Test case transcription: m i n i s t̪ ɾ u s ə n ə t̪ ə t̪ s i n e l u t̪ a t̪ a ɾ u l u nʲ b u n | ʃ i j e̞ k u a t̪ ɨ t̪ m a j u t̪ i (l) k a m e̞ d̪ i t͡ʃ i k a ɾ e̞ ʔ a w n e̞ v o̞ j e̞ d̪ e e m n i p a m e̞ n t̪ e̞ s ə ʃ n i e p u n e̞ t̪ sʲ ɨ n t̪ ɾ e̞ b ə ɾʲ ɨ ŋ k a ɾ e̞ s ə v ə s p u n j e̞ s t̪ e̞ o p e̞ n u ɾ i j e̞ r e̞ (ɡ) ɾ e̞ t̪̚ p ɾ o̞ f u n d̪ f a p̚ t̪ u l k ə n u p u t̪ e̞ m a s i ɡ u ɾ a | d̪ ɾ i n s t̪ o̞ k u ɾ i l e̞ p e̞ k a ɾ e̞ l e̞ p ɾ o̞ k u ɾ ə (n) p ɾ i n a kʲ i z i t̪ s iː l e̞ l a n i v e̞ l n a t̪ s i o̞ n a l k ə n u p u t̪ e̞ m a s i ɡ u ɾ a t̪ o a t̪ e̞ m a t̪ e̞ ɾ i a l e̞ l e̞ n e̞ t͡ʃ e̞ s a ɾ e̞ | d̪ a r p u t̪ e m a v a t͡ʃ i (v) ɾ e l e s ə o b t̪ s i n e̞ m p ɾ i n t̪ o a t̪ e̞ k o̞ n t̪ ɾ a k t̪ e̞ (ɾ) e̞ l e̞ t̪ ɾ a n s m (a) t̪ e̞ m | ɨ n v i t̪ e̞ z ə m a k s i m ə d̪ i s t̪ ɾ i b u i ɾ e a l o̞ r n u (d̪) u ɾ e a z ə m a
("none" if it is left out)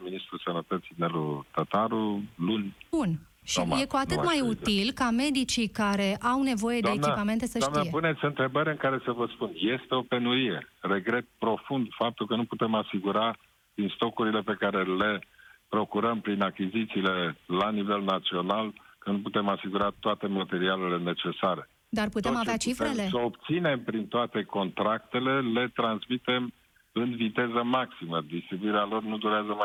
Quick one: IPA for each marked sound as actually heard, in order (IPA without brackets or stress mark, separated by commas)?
l, ɡ, m, f, l, i, d̪